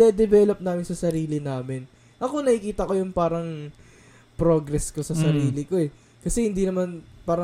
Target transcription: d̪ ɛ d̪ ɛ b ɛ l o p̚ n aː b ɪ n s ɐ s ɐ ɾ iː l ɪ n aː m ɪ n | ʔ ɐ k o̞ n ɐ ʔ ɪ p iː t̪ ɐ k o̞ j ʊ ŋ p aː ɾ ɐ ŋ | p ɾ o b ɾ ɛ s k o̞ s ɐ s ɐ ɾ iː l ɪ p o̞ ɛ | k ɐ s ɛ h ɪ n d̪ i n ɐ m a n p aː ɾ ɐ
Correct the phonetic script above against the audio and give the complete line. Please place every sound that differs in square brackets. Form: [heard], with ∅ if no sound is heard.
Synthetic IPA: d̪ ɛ d̪ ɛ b ɛ l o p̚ n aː [m] ɪ n s ɐ s ɐ ɾ iː l ɪ n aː m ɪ n | ʔ ɐ k o̞ n ɐ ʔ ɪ [k] iː t̪ ɐ k o̞ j ʊ ŋ p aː ɾ ɐ ŋ | p ɾ o [ɡ] ɾ ɛ s k o̞ s ɐ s ɐ ɾ iː l ɪ [k] o̞ ɛ | k ɐ s ɛ h ɪ n d̪ i n ɐ m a n p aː ɾ ɐ